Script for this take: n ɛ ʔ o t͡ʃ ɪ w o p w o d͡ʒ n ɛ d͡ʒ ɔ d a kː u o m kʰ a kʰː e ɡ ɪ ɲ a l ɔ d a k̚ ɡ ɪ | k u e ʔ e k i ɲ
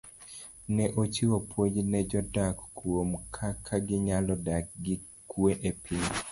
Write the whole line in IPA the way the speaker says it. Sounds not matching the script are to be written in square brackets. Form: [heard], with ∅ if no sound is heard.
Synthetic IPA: n ɛ ʔ o t͡ʃ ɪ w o p w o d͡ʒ n ɛ d͡ʒ ɔ d a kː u o m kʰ a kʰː [a] ɡ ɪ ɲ a l ɔ d a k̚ ɡ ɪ | k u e ʔ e [p] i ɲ